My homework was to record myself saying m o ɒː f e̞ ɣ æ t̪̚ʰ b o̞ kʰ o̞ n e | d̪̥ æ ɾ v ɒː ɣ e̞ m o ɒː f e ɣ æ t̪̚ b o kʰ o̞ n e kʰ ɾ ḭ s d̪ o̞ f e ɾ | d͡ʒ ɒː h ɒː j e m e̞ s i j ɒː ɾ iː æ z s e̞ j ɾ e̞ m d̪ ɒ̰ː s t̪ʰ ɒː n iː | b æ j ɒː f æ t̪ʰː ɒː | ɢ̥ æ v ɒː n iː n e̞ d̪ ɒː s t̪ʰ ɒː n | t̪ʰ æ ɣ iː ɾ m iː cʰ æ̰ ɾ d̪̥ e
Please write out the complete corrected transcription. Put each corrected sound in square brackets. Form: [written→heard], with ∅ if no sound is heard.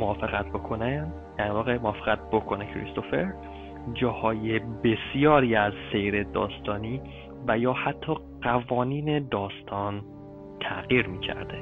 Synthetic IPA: m o ɒː f e̞ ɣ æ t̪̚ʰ b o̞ kʰ o̞ n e | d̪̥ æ ɾ v ɒː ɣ e̞ m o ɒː f e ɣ æ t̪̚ b o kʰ o̞ n e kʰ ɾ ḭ s [d̪→t̪] o̞ f e ɾ | d͡ʒ ɒː h ɒː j e [m→b] e̞ s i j ɒː ɾ iː æ z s e̞ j ɾ e̞ [m→∅] d̪ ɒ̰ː s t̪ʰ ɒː n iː | [b→v] æ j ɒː [f→h] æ t̪ʰː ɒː | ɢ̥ æ v ɒː n iː n e̞ d̪ ɒː s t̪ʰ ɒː n | t̪ʰ æ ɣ iː ɾ m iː cʰ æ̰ ɾ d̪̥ e